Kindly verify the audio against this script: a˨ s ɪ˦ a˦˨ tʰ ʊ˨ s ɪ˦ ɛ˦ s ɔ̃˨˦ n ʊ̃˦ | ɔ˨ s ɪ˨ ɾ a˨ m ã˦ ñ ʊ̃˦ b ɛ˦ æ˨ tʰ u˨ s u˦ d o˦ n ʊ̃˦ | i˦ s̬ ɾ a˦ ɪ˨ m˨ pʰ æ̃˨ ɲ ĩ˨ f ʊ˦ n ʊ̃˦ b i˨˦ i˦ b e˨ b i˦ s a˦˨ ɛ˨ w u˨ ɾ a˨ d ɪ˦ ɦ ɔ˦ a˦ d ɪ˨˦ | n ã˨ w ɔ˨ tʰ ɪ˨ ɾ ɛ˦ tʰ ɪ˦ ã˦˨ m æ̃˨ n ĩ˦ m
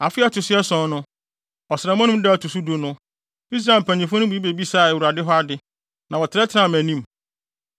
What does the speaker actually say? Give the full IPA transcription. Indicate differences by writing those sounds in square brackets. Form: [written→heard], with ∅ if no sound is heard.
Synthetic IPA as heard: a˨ [s→f] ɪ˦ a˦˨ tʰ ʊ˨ s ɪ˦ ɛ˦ s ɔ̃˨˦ n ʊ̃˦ | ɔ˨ s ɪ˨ ɾ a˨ m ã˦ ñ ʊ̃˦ [b→d] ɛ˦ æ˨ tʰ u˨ s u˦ d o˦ n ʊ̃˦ | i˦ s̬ ɾ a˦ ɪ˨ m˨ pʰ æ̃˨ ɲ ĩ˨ f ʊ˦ n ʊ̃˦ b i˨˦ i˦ b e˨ b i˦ s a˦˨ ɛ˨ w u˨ ɾ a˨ d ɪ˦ ɦ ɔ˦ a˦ d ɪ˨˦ | n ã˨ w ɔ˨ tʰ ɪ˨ ɾ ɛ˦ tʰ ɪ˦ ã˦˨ m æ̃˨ n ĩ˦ m

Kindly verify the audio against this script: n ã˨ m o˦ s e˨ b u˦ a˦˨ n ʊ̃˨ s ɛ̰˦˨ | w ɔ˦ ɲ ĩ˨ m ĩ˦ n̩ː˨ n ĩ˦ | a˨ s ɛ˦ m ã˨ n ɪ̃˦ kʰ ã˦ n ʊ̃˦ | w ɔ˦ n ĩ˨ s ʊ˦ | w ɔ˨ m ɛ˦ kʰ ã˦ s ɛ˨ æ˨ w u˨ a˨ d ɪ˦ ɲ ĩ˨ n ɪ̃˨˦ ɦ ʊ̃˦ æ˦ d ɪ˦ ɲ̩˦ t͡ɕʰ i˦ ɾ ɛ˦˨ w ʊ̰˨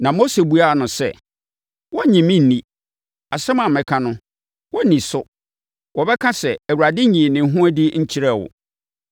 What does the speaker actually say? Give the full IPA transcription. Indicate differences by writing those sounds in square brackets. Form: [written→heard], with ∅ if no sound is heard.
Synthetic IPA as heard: n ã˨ m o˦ s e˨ b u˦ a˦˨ n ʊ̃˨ s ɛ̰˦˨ | w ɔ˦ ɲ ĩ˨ m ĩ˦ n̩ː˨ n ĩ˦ | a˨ s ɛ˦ m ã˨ [n→m] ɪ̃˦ kʰ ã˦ n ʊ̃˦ | w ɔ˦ n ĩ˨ s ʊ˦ | w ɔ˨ [m→b] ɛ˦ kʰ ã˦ s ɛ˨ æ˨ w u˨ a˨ d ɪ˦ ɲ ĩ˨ n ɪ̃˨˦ ɦ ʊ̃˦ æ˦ d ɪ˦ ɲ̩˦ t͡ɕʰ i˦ ɾ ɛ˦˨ w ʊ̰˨

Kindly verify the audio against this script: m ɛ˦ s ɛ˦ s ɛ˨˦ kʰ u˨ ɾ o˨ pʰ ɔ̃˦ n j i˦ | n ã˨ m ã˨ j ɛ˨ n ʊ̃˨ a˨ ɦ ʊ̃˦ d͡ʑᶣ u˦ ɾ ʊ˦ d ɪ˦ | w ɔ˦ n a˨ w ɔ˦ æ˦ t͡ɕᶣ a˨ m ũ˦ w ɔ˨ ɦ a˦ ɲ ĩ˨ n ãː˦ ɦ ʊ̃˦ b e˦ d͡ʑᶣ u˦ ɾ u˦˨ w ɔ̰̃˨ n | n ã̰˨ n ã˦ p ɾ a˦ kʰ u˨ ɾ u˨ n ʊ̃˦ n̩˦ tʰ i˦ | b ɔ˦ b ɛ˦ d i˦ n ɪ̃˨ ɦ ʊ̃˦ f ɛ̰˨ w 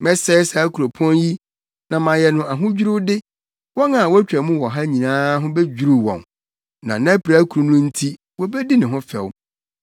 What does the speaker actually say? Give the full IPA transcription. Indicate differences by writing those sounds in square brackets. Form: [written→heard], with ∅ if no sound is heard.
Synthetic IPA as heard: m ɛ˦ s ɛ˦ s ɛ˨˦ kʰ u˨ ɾ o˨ pʰ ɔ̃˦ n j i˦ | n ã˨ m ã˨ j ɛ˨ n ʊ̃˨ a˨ ɦ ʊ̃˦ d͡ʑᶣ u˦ ɾ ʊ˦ d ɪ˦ | w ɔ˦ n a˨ w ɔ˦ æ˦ t͡ɕᶣ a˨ m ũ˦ w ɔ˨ ɦ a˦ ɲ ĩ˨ n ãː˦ ɦ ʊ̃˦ b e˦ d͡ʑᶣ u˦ ɾ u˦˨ w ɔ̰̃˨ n | n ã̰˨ n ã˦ p ɾ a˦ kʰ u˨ ɾ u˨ n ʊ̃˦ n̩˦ tʰ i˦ | [b→w] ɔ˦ b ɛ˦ d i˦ n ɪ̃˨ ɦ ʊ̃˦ f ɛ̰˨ w

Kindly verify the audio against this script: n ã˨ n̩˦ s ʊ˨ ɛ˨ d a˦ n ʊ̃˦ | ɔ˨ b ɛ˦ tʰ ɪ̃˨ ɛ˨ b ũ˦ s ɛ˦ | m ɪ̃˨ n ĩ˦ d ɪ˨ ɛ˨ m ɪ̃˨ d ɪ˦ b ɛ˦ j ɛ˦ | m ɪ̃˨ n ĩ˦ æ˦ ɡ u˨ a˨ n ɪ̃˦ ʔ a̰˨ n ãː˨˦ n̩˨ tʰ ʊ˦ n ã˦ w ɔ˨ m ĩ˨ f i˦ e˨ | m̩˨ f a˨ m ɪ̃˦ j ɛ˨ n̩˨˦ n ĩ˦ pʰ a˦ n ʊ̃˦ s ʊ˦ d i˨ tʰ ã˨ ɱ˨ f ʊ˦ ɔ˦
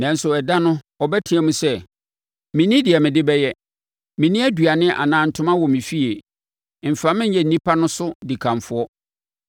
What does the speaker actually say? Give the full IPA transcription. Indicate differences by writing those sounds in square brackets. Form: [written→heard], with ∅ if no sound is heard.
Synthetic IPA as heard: n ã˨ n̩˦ s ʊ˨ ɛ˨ d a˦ n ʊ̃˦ | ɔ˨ b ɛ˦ tʰ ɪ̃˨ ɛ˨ [b→m] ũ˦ s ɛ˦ | m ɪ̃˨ n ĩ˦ d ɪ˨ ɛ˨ m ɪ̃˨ d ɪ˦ b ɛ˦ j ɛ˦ | m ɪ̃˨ n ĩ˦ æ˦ [ɡ→d] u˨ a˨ n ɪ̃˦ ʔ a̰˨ n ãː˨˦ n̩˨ tʰ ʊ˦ [n→m] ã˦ w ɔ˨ m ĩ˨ f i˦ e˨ | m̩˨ f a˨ m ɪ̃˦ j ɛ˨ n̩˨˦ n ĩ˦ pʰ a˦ n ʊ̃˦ s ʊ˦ d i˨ [tʰ→kʰ] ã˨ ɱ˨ f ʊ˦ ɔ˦

